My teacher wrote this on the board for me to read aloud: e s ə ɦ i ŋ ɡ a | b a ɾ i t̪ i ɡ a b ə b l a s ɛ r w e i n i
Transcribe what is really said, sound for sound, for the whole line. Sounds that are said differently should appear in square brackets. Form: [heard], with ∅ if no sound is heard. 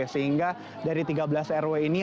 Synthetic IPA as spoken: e s ə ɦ i ŋ ɡ a | [d] a ɾ i t̪ i ɡ a b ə [∅] l a s ɛ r w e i n i